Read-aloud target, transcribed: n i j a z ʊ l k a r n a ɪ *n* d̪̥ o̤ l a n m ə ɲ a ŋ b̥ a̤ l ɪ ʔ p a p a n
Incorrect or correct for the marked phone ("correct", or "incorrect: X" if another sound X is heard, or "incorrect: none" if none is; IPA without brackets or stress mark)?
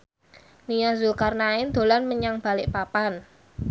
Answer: correct